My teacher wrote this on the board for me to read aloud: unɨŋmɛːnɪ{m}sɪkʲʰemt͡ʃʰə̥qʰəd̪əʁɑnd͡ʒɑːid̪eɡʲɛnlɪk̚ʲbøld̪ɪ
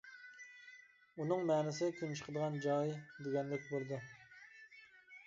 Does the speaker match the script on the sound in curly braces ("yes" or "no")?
no